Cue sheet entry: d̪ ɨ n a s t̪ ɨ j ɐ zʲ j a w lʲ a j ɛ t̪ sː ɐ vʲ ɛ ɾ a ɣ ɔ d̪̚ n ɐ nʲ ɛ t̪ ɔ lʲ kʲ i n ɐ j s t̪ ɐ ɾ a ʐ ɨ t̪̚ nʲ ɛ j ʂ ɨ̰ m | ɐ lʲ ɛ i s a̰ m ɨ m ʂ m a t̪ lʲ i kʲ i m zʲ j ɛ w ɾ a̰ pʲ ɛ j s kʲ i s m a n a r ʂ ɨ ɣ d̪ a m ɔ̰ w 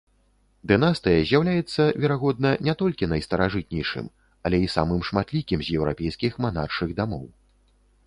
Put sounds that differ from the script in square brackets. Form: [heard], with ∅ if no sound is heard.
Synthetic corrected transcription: d̪ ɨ n a s t̪ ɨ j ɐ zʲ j a w lʲ a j ɛ t̪ sː ɐ vʲ ɛ ɾ a ɣ ɔ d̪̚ n ɐ nʲ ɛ t̪ ɔ lʲ kʲ i n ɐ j s t̪ ɐ ɾ a ʐ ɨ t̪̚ nʲ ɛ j ʂ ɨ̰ m | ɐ lʲ ɛ i s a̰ m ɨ m ʂ m a t̪ lʲ i kʲ i m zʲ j ɛ w ɾ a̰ pʲ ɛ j s kʲ i [x] m a n a r ʂ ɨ ɣ d̪ a m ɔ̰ w